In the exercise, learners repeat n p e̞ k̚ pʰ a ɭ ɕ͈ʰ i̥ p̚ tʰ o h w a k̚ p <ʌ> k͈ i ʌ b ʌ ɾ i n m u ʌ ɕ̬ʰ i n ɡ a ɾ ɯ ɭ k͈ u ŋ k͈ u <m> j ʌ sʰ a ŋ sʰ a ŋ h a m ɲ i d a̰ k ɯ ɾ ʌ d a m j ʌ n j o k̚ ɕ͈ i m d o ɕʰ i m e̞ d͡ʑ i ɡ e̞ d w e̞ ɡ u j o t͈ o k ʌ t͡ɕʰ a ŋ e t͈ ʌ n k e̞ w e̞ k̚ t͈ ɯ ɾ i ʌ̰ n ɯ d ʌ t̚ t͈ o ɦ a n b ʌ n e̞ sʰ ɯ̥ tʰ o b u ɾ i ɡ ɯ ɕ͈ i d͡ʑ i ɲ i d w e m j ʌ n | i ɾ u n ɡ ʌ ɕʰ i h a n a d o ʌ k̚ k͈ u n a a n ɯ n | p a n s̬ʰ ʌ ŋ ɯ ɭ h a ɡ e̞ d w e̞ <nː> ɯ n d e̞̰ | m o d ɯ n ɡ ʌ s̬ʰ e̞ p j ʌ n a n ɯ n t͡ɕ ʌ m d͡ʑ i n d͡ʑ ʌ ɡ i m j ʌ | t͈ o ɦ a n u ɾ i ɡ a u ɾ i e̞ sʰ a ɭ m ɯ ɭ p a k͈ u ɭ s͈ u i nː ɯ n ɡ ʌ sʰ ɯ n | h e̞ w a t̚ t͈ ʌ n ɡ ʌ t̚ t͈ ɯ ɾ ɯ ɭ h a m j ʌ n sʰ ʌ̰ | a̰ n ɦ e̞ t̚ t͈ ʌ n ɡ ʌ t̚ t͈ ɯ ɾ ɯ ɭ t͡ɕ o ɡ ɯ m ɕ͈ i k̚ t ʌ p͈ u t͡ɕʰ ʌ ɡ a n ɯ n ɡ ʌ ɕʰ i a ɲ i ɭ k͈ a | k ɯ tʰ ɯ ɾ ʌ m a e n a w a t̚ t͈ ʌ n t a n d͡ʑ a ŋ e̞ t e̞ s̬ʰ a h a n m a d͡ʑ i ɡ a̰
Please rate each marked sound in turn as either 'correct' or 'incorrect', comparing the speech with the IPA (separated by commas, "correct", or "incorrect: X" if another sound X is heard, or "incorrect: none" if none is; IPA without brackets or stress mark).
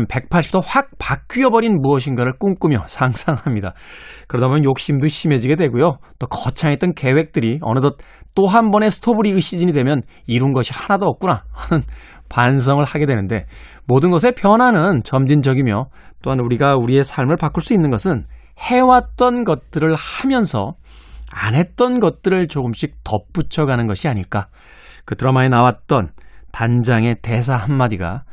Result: incorrect: a, correct, incorrect: n